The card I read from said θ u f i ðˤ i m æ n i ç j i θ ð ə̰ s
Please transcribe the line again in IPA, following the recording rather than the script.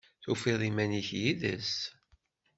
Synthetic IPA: θ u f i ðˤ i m æ n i ç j i ð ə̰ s